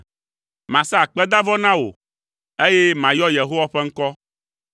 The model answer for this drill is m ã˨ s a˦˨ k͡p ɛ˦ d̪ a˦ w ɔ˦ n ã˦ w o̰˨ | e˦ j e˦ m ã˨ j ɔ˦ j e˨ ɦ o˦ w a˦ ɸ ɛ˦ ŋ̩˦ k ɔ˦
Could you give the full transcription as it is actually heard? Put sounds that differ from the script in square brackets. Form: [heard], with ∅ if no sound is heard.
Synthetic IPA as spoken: m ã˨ s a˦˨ k͡p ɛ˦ d̪ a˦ [v] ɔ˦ n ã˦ w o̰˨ | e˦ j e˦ m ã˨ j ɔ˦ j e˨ ɦ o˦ w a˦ ɸ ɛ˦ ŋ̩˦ k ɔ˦